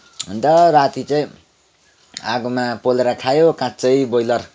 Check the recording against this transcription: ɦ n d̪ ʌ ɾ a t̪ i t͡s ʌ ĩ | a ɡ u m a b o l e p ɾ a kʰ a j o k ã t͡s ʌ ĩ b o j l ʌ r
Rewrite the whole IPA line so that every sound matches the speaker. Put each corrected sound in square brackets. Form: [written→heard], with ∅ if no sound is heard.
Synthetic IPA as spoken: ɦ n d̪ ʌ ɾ a t̪ i t͡s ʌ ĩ | a ɡ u m a [b→p] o l e [p→∅] ɾ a kʰ a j o k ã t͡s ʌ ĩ b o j l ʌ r